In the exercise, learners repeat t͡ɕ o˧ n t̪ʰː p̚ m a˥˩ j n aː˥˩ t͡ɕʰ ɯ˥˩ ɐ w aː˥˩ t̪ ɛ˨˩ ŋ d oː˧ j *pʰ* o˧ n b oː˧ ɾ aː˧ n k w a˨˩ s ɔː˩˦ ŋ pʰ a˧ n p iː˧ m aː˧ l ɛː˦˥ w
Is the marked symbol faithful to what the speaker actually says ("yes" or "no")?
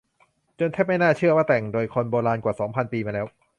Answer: no